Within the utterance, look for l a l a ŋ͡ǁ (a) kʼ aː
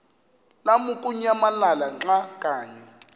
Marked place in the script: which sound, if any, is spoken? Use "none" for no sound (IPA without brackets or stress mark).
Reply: a